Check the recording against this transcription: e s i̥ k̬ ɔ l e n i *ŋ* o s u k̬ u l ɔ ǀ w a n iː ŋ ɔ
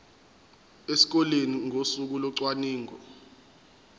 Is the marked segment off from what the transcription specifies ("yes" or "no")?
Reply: no